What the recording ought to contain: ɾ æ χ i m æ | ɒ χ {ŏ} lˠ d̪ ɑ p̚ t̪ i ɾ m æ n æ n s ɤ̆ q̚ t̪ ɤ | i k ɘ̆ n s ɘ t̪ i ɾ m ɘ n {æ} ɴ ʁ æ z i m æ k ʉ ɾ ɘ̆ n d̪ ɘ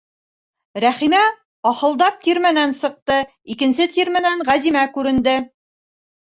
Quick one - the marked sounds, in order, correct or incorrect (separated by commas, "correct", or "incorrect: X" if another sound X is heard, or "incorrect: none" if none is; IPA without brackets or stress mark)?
incorrect: ɤ̆, correct